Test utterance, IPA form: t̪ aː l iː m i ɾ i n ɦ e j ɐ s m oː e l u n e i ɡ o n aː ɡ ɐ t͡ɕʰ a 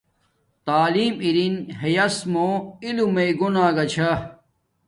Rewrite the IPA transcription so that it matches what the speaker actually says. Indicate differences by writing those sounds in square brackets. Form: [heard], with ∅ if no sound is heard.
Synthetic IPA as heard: t̪ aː l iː m i ɾ i n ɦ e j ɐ s m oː [i] l u [m] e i ɡ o n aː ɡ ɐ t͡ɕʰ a